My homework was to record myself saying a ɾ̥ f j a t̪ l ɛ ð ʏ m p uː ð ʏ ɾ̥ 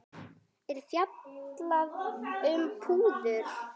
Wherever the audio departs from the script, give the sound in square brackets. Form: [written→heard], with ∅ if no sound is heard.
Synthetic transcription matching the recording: [a→ɛ] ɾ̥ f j a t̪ l [ɛ→a] ð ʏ m [p→pʰ] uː ð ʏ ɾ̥